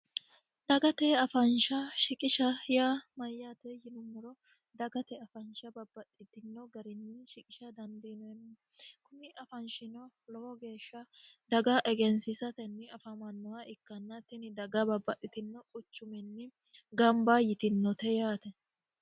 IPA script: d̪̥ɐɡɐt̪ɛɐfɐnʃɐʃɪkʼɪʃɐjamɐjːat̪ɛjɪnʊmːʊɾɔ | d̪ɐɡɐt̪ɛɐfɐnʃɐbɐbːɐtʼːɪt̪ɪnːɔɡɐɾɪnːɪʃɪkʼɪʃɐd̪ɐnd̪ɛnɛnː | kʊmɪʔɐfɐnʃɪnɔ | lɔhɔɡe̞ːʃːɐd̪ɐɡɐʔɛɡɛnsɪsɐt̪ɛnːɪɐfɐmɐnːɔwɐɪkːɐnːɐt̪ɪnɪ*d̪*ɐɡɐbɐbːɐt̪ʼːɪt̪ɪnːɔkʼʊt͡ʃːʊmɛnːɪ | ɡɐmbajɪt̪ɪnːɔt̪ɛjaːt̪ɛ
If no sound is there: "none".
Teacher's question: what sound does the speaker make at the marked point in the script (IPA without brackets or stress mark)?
d̪